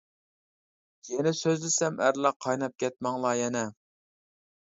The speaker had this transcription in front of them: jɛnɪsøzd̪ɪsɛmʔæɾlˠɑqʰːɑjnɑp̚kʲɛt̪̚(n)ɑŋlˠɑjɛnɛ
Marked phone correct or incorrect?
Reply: incorrect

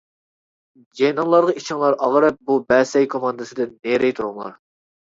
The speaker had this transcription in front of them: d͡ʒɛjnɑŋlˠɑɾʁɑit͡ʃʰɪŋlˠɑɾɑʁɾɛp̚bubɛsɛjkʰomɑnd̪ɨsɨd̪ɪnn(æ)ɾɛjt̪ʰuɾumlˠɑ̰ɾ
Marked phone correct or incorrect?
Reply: incorrect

